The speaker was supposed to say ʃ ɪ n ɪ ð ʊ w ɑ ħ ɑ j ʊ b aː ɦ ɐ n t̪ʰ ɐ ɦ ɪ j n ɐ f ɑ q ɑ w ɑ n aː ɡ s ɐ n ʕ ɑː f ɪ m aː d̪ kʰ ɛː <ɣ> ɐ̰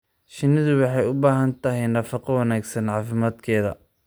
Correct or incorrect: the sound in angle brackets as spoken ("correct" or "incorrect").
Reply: incorrect